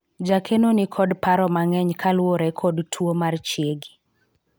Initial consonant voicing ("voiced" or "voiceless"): voiced